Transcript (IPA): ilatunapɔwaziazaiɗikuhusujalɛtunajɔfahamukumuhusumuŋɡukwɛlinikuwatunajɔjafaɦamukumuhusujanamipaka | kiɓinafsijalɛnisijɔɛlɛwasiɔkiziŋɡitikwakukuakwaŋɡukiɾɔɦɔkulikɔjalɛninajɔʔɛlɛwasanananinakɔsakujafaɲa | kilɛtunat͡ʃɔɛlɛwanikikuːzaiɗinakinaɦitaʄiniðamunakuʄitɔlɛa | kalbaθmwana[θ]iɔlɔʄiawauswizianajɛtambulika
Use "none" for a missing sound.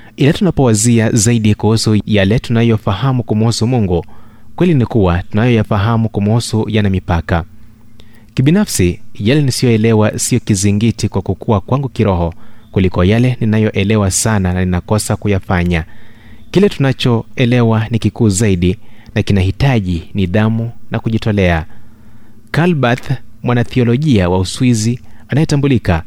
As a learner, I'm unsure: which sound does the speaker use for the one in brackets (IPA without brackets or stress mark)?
θ